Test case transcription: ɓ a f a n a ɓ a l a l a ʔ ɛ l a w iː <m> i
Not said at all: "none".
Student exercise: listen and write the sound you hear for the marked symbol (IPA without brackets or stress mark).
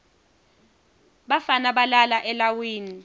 n